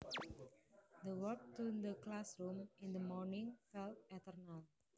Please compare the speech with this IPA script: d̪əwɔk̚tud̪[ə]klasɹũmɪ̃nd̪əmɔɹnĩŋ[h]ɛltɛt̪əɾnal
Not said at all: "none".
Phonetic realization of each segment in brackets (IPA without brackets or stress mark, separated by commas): ə, f